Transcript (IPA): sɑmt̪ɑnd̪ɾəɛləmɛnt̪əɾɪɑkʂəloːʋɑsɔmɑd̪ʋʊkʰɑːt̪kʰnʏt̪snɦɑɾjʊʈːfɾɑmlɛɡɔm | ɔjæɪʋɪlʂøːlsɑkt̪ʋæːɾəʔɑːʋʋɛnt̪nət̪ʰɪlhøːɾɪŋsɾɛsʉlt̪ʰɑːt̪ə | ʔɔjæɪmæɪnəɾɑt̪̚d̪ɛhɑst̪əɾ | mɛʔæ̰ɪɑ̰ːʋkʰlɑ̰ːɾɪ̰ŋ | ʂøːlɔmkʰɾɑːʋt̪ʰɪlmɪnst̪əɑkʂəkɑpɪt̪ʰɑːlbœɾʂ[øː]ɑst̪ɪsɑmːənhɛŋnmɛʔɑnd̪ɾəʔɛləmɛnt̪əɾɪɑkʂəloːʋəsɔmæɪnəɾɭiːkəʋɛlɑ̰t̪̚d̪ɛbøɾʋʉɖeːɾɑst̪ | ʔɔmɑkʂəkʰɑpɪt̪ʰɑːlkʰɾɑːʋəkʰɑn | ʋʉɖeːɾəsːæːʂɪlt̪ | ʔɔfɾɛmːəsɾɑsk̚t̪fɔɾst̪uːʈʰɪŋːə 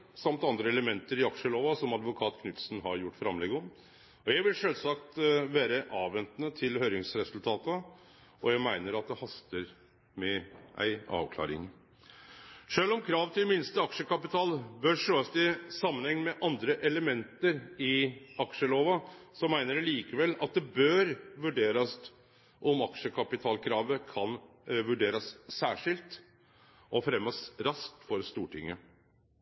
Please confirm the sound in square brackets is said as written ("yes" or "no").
yes